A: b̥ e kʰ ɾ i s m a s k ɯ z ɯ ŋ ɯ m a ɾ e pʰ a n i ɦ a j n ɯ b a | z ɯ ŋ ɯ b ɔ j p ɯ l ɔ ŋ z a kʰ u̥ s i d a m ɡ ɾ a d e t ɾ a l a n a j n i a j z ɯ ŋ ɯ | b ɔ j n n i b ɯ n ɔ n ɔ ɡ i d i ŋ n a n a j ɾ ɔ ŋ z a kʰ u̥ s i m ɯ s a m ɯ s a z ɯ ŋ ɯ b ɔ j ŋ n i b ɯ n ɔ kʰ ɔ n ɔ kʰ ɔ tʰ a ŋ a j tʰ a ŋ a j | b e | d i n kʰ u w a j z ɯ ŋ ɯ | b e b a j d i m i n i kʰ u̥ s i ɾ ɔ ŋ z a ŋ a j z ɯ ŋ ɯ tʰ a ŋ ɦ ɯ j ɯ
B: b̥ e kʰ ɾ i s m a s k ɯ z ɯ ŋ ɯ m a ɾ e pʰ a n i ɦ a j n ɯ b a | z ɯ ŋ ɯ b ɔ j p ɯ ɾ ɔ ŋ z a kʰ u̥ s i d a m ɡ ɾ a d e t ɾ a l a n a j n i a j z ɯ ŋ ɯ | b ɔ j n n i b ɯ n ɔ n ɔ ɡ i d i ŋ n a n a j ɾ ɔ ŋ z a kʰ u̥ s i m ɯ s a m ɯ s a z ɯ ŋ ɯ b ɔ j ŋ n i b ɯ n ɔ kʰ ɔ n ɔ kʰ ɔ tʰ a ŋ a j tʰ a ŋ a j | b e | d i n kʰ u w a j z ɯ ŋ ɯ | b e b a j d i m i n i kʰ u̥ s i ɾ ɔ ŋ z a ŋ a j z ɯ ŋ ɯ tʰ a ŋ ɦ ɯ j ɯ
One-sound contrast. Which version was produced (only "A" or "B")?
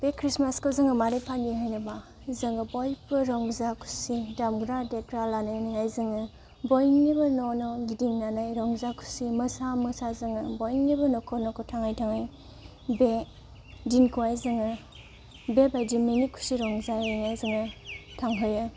B